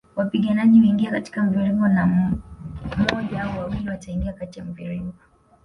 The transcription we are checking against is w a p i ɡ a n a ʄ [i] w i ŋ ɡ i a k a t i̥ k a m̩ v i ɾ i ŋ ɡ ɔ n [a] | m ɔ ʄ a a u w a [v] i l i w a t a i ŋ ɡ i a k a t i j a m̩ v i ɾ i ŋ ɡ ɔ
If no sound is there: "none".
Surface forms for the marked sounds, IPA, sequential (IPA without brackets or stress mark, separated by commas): i, a, w